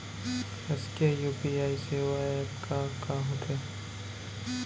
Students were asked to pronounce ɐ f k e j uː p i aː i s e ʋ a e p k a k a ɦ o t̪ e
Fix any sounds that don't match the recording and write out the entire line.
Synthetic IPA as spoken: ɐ s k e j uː p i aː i s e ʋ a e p k a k a ɦ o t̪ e